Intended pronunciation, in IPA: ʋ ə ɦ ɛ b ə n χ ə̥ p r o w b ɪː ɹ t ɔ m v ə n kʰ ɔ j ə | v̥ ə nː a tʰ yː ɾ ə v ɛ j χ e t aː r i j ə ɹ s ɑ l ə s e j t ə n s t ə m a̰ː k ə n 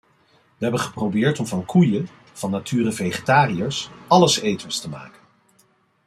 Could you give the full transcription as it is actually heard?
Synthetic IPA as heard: ʋ ə ɦ ɛ b ə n χ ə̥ p r o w b ɪː ɹ t ɔ m v ɑ n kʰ u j ə | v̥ ɑ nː a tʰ yː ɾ ə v e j χ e t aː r i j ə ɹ s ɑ l ə s e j t ə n s t ə m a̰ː k ə n